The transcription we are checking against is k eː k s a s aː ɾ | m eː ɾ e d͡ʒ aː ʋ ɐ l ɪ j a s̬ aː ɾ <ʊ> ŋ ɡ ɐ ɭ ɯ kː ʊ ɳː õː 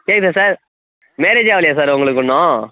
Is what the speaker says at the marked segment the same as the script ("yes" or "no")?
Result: yes